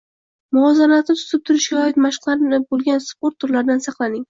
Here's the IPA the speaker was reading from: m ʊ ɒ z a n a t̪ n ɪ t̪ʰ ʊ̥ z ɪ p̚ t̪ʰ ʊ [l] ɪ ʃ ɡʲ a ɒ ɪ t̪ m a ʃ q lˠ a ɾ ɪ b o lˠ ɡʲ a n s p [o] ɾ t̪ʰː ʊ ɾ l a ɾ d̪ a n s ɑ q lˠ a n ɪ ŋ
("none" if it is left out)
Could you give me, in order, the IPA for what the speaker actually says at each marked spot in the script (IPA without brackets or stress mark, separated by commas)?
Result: ɾ, o